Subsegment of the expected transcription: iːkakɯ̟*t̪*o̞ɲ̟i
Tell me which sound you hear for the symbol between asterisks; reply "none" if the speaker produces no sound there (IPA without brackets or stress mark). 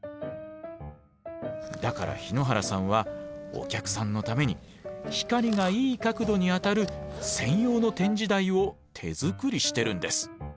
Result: d̪